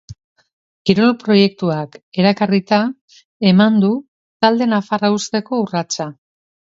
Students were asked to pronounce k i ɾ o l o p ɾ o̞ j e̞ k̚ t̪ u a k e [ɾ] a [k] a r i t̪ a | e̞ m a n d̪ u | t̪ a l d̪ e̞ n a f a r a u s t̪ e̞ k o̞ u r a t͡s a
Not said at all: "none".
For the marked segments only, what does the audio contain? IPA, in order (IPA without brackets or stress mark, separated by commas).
ɾ, k